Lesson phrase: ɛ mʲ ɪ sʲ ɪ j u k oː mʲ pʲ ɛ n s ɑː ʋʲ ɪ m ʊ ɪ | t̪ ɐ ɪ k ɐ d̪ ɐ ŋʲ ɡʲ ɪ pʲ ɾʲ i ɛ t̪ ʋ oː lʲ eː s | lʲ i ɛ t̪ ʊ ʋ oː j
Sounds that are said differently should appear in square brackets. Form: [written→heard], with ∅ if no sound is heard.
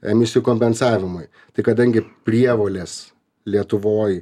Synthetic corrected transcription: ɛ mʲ ɪ sʲ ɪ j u k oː mʲ pʲ ɛ n s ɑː ʋʲ ɪ m ʊ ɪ | t̪ ɐ ɪ k ɐ d̪ ɐ ŋʲ ɡʲ ɪ pʲ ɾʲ i ɛ [t̪→∅] ʋ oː lʲ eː s | lʲ i ɛ t̪ ʊ ʋ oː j